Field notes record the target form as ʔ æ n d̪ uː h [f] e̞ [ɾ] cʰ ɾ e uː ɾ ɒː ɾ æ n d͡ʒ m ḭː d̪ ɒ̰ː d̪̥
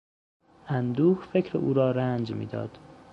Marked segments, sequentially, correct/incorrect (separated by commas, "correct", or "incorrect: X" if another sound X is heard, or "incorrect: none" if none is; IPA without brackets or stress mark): correct, incorrect: none